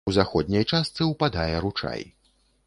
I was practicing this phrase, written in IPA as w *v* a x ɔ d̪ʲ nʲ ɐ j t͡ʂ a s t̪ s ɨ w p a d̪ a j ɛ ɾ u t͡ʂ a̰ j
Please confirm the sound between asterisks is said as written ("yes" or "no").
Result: no